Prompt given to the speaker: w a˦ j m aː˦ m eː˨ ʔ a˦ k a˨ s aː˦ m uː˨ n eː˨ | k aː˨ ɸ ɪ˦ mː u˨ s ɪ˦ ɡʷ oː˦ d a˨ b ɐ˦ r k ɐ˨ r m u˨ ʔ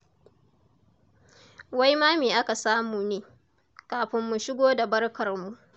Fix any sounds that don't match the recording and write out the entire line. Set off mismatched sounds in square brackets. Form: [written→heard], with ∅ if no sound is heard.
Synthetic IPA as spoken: w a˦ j m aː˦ m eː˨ ʔ a˦ k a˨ s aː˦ m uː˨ n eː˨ | k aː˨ ɸ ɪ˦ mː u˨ [s→ʃ] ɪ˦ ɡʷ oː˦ d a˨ b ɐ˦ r k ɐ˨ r m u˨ ʔ

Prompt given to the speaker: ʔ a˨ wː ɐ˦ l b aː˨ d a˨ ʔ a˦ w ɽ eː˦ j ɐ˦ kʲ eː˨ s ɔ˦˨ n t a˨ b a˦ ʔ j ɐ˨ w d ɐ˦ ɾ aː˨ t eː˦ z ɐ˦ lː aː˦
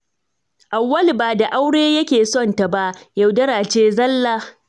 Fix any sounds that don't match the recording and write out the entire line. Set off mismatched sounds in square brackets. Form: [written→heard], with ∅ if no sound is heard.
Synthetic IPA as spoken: ʔ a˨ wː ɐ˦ l b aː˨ d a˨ ʔ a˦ w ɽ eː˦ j ɐ˦ kʲ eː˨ s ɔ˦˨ n t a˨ b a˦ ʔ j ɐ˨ w d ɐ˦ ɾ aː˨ [t→t͡ʃ] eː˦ z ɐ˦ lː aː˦

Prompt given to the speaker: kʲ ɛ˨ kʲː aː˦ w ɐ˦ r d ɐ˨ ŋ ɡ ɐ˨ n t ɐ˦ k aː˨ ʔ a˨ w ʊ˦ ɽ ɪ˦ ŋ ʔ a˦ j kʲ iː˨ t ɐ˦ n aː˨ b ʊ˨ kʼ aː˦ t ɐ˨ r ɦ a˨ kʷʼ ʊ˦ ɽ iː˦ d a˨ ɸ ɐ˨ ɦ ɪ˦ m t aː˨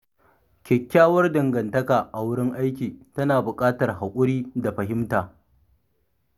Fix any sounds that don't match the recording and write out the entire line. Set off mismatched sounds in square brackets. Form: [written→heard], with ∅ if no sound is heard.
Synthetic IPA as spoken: kʲ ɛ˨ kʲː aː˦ w ɐ˦ r d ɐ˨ ŋ ɡ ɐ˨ n t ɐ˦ k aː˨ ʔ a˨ w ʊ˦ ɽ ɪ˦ ŋ ʔ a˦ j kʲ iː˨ t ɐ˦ n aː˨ b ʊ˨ kʼ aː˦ t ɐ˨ r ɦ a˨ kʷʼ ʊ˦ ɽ iː˦ d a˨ ɸ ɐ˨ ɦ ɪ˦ m t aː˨

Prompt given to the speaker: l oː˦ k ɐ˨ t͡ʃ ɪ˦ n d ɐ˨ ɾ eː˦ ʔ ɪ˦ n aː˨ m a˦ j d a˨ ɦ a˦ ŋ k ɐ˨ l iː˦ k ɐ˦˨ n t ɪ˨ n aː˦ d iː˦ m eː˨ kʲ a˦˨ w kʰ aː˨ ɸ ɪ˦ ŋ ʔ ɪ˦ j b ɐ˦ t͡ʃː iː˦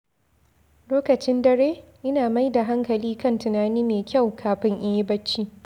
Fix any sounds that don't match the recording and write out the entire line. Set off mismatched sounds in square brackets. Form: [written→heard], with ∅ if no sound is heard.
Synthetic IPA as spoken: l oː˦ k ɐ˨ t͡ʃ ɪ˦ n d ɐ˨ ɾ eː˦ ʔ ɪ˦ n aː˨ m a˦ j d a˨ ɦ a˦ ŋ k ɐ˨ l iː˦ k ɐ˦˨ n t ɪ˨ n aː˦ [d→n] iː˦ m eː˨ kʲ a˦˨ w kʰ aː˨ ɸ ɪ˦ ŋ ʔ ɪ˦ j b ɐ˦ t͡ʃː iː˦

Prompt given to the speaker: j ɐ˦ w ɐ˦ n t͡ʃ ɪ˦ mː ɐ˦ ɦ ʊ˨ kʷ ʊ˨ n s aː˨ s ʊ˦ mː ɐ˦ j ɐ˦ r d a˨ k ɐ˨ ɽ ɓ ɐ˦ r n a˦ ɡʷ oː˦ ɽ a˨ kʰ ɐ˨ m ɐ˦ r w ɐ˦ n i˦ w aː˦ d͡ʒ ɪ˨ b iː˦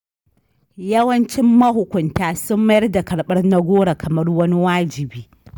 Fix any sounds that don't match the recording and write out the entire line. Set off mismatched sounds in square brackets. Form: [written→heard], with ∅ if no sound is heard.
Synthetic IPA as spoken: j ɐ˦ w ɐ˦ n t͡ʃ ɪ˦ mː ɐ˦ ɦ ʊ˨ kʷ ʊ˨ n [s→t] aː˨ s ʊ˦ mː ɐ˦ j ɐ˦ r d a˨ k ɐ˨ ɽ ɓ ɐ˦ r n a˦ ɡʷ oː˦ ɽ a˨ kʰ ɐ˨ m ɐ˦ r w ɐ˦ n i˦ w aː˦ d͡ʒ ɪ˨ b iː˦

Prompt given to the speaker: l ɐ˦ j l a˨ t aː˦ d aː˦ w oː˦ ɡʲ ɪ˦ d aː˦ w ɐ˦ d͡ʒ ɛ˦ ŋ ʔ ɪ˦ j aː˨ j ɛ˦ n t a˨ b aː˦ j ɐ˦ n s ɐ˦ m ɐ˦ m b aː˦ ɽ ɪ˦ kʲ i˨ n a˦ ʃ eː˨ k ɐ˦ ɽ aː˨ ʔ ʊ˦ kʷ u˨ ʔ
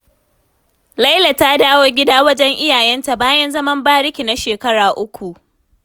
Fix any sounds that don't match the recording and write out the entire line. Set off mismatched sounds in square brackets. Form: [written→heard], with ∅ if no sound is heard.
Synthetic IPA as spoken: l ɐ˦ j l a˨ t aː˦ d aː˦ w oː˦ ɡʲ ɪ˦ d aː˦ w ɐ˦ d͡ʒ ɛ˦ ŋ ʔ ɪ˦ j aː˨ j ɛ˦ n t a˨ b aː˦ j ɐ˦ n [s→z] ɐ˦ m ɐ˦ m b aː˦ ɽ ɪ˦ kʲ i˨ n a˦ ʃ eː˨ k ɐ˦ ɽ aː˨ ʔ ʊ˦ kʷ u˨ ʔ

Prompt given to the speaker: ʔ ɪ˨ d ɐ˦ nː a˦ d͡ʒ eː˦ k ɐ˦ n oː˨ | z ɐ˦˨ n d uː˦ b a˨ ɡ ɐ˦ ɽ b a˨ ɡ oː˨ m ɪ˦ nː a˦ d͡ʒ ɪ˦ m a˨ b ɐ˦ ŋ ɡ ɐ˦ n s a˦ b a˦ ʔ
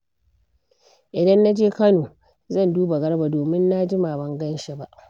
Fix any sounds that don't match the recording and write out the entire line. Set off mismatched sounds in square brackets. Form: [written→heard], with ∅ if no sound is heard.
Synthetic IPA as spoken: ʔ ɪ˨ d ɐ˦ nː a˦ d͡ʒ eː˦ k ɐ˦ n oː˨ | z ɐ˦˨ n d uː˦ b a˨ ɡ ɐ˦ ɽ b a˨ [ɡ→d] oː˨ m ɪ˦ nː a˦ d͡ʒ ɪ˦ m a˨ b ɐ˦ ŋ ɡ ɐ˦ n [s→ʃ] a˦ b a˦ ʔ

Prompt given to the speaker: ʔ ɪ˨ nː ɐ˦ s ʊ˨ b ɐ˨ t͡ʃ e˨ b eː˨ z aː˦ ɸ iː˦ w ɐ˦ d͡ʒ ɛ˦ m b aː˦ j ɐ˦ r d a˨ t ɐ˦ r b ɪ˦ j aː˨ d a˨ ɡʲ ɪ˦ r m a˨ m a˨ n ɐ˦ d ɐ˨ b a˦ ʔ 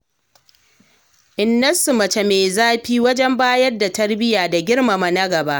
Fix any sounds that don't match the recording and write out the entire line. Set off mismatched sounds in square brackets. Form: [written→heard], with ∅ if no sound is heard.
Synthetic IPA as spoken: ʔ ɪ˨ nː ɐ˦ s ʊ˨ [b→m] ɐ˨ t͡ʃ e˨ [b→m] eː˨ z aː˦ ɸ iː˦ w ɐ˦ d͡ʒ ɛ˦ m b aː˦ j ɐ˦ r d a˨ t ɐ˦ r b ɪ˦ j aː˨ d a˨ ɡʲ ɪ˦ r m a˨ m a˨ n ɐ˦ [d→ɡ] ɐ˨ b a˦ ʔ

